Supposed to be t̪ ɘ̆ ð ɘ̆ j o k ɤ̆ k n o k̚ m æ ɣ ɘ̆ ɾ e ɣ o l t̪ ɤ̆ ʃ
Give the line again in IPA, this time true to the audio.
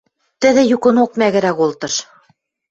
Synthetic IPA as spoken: t̪ ɘ̆ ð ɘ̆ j u k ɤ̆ n o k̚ m æ ɣ ɘ̆ ɾ æ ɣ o l t̪ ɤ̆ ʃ

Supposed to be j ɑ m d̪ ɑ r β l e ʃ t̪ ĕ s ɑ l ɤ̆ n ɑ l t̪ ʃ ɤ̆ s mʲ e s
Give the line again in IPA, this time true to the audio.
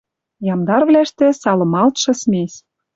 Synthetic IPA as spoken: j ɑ m d̪ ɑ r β l æ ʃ t̪ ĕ s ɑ l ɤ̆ m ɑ l t̪ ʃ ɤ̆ s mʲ e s

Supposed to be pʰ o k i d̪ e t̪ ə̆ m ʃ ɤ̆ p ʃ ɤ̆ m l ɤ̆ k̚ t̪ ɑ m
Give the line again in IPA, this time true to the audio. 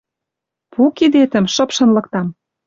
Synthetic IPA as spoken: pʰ u k i d̪ e t̪ ə̆ m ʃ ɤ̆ p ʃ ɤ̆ n l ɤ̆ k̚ t̪ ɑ m

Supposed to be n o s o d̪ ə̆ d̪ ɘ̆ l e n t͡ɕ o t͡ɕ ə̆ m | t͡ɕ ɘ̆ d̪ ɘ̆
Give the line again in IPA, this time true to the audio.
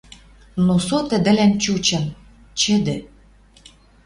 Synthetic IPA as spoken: n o s o t̪ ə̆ d̪ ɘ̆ l æ n t͡ɕ u t͡ɕ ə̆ m | t͡ɕ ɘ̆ d̪ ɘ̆

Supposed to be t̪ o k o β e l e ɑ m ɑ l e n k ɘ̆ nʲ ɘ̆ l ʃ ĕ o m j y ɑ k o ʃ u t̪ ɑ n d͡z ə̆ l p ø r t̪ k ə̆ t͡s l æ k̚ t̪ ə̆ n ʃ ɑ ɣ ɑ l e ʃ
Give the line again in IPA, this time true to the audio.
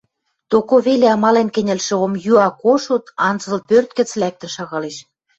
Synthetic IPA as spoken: t̪ o k o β e l e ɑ m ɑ l e n k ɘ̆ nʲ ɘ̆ l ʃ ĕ o m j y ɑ k o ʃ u t̪ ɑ n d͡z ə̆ l p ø r t̪ k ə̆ t͡s l æ k̚ t̪ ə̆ n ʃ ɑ ɣ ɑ l e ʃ

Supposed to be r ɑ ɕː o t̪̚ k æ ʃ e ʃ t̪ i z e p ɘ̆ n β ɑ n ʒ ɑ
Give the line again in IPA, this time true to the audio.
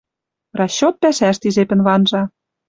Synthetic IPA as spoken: r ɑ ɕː o t̪̚ p æ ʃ æ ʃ t̪ i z e p ɘ̆ n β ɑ n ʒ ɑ

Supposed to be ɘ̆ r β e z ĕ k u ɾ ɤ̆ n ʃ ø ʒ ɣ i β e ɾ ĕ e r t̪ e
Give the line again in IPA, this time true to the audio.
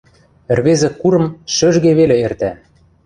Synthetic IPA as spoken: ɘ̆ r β e z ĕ k u ɾ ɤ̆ m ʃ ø ʒ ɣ e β e l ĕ e r t̪ æ

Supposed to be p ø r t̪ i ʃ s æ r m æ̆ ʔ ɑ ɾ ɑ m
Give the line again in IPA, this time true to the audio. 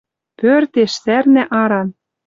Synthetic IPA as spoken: p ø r t̪ e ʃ s æ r n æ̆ ʔ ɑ ɾ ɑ n

